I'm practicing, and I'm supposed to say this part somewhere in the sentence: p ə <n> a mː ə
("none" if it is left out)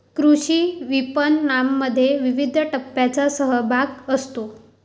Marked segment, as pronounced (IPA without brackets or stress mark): nː